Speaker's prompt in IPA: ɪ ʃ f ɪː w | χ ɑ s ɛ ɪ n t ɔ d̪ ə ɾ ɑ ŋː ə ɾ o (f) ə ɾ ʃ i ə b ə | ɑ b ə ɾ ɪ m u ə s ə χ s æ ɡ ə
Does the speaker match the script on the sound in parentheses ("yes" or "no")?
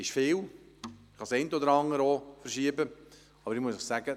yes